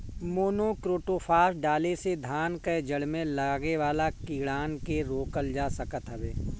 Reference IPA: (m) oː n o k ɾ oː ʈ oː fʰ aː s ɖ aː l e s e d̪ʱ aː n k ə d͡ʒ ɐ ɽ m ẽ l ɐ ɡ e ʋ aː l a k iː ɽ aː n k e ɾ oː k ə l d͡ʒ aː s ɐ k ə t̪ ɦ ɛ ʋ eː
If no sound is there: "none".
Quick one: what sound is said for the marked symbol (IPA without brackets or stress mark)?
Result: m